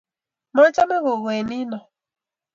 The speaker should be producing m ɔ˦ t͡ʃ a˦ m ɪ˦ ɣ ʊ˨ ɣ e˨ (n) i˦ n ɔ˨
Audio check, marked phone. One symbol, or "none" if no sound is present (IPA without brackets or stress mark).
n